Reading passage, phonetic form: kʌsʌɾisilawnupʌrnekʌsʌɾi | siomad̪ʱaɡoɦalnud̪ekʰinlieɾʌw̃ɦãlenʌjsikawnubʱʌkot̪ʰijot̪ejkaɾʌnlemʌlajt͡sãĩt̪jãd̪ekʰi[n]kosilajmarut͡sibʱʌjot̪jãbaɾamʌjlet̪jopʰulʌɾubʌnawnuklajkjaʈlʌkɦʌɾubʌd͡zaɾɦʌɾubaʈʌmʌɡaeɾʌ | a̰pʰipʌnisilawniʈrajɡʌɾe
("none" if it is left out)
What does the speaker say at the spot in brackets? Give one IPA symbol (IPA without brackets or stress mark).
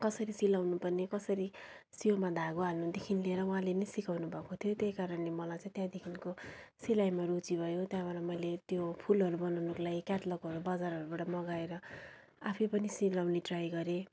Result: n